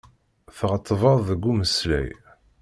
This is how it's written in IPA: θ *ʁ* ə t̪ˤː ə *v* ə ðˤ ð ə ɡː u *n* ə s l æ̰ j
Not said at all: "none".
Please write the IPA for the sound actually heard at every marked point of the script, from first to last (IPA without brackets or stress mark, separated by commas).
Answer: ʁ, v, m